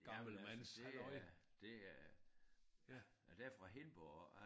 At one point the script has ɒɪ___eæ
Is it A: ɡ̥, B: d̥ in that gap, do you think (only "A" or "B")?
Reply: B